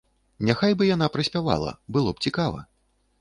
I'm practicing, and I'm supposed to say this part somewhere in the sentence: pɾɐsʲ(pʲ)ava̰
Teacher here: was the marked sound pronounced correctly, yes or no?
yes